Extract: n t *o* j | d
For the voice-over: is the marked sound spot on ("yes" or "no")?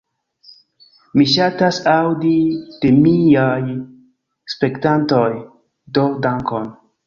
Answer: yes